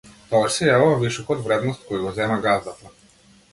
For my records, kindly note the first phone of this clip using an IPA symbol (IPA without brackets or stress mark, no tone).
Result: t̪